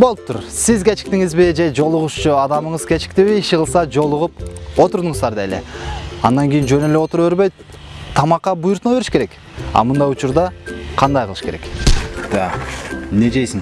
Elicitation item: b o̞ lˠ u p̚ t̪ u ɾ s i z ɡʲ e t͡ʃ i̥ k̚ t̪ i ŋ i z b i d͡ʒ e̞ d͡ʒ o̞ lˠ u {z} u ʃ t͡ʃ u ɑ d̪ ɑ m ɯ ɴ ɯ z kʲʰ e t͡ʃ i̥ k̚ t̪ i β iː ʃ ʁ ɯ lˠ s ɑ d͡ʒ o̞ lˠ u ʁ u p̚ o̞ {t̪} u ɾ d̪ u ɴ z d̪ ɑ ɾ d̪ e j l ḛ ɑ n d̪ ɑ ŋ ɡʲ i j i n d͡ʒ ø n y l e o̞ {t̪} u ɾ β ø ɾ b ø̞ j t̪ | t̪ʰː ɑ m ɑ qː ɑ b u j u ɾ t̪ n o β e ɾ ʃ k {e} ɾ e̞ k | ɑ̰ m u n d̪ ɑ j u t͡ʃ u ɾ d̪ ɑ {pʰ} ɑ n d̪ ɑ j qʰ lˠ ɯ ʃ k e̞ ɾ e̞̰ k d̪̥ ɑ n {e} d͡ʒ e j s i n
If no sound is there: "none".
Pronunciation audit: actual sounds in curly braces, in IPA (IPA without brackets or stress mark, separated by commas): ʁ, t̪, t̪, e, qʰ, e